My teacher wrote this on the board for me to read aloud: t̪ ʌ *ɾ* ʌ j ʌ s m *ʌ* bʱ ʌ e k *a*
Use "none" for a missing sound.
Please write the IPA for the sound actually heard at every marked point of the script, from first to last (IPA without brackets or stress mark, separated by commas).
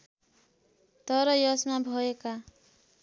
ɾ, a, a